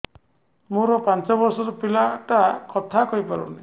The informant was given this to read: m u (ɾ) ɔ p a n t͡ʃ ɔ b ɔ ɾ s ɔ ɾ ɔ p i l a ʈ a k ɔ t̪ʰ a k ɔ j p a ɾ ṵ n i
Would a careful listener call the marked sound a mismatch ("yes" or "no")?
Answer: no